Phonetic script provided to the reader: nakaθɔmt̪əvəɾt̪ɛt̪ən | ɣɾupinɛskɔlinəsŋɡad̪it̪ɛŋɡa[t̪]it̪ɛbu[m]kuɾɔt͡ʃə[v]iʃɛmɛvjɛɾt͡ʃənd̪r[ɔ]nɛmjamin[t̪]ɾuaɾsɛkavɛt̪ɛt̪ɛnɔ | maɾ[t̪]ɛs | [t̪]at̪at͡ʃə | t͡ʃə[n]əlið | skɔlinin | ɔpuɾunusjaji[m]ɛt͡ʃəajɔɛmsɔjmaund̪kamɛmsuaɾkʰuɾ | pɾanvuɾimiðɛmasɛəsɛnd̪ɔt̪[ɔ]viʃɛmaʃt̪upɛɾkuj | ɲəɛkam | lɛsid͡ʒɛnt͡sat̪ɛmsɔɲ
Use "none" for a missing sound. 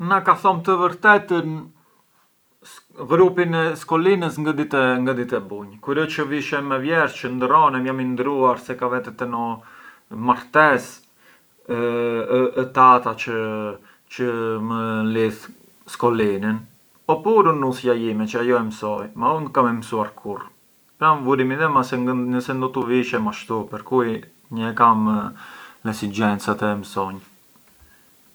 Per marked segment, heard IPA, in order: d̪, ɲ, v, ɔ, d̪, t̪, t̪, m, m, u

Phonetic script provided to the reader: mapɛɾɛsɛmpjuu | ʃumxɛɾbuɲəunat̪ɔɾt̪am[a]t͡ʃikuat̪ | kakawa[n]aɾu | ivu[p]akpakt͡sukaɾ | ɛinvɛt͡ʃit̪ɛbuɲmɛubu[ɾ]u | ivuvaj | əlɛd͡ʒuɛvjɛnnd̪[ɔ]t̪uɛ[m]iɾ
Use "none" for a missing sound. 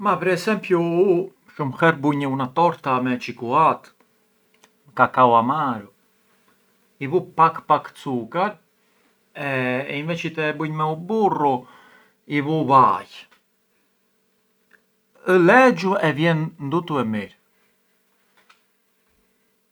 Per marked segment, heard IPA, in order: ɛ, m, p, r, u, m

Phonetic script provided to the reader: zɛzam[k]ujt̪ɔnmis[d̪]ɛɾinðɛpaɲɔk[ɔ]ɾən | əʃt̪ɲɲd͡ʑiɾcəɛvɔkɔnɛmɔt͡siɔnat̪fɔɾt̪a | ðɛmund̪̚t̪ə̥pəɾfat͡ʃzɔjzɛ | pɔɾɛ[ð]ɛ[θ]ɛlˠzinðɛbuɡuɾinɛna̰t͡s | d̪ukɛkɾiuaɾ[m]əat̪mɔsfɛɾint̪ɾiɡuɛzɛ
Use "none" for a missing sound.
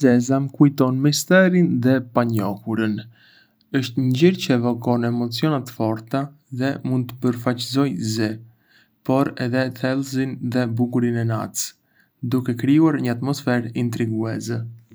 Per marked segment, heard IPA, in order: k, t̪, u, ð, θ, ɲ

